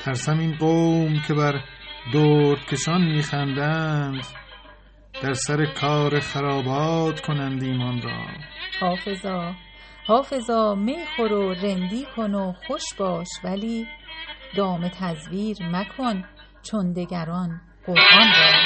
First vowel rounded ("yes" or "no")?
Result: no